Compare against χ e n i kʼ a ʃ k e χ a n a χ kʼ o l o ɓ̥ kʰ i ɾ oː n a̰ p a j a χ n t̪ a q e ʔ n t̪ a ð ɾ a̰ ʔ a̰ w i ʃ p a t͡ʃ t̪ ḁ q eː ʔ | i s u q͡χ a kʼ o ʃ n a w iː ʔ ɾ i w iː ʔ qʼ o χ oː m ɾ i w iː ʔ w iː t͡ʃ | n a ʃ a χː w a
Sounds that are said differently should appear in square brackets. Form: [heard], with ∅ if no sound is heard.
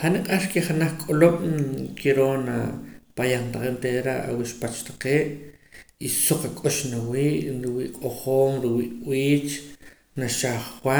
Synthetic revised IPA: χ [a] n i [qʼ] a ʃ k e χ a n a χ kʼ o l o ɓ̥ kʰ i ɾ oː n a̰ p a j a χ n t̪ a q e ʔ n t̪ [e] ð ɾ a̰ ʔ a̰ w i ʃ p a t͡ʃ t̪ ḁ q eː ʔ | i s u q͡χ a kʼ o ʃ n a w iː ʔ ɾ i w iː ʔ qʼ o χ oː m ɾ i w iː ʔ w iː t͡ʃ | n a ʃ a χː w a